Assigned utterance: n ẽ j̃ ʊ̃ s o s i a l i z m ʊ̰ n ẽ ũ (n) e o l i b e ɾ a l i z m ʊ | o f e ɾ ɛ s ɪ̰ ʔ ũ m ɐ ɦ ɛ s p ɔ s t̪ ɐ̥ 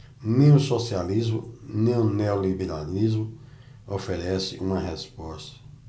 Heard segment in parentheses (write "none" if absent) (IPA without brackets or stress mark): n